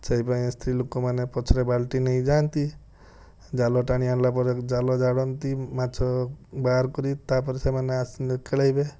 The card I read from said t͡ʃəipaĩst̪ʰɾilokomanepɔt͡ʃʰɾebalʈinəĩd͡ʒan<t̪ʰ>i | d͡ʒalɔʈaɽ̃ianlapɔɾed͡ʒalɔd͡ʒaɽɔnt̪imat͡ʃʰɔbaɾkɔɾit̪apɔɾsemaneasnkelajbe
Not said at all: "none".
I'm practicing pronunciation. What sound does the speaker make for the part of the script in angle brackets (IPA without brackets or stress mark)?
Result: t̪